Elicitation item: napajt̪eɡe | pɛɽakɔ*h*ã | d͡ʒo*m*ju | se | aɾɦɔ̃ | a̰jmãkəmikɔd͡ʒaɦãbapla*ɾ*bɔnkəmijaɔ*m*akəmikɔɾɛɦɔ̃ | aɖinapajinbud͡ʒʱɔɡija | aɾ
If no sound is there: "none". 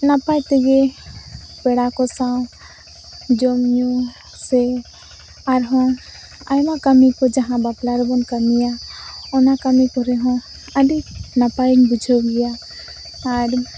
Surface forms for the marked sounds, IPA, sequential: s, m, ɾ, n

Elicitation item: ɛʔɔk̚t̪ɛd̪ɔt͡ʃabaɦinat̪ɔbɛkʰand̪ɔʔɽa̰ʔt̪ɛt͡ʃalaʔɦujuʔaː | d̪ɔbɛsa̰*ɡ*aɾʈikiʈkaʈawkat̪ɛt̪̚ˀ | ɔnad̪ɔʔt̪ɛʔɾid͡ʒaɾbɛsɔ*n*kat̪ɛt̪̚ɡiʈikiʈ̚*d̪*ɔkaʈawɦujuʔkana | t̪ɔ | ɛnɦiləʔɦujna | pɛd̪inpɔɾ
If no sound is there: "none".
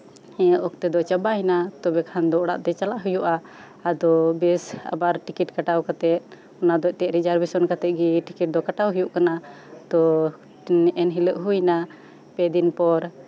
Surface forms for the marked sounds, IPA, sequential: b, n, d̪

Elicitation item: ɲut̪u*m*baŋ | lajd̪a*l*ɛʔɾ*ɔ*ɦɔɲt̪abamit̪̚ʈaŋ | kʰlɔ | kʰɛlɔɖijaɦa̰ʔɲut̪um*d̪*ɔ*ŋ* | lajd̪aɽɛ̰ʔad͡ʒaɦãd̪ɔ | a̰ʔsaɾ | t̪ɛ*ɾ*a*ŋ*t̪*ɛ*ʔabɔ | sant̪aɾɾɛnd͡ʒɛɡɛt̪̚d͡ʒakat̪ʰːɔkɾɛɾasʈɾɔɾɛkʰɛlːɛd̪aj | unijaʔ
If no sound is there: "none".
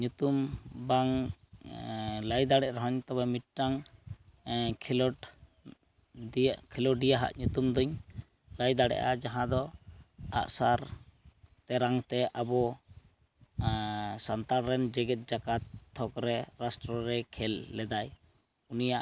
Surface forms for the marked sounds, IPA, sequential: m, ɽ, ɔ, d̪, ɲ, ɾ, ŋ, ɛ

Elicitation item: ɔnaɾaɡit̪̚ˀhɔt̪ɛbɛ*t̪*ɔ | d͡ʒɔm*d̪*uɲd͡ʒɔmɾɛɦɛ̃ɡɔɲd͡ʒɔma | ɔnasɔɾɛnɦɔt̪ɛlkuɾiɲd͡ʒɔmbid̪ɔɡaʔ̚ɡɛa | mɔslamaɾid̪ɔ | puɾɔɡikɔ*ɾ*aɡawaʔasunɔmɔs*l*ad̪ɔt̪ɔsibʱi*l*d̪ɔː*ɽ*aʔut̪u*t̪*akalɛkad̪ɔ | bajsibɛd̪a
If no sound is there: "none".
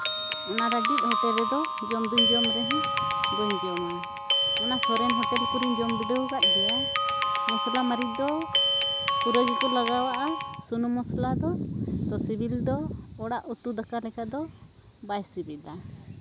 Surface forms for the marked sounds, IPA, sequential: d̪, d̪, l, l, l, ɽ, d̪

